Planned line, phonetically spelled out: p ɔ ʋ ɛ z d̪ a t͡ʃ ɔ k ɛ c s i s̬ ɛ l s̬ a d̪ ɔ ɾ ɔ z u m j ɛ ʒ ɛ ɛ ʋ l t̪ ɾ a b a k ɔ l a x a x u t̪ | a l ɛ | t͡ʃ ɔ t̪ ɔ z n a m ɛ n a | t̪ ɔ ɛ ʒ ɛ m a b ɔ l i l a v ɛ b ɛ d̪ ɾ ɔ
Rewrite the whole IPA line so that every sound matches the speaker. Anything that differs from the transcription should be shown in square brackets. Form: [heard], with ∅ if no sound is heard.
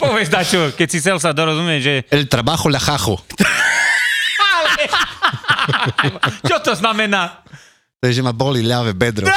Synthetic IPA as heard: p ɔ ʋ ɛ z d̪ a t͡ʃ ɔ k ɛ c s i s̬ ɛ l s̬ a d̪ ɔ ɾ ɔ z u m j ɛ ʒ ɛ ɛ [∅] l t̪ ɾ a b a [x] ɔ l a x a x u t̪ | a l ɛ | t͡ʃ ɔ t̪ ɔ z n a m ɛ n a | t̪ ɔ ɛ ʒ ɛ m a b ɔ l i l a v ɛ b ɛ d̪ ɾ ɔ